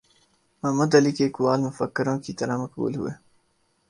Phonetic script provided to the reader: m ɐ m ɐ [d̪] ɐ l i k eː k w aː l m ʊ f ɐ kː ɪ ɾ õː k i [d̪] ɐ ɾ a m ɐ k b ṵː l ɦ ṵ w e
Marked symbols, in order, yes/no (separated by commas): yes, no